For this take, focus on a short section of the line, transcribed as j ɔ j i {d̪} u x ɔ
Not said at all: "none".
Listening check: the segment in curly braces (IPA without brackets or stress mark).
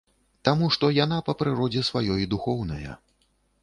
d̪